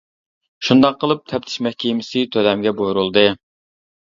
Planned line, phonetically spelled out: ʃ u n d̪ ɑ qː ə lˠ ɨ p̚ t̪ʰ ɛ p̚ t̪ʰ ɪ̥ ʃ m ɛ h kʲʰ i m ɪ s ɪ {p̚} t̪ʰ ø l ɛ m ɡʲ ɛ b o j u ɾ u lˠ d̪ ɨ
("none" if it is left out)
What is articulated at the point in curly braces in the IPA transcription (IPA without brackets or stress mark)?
none